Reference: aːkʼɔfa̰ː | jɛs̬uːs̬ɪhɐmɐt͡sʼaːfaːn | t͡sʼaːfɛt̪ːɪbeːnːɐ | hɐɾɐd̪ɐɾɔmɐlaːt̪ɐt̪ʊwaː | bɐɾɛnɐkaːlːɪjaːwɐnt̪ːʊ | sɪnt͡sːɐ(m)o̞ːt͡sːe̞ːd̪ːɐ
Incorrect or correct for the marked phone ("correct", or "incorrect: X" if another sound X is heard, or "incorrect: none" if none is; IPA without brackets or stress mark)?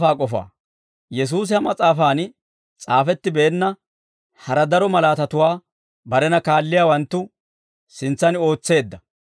incorrect: n